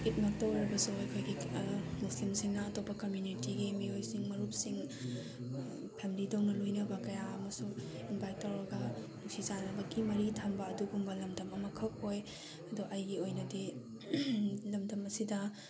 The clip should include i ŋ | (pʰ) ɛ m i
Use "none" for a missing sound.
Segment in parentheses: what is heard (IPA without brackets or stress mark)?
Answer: pʰ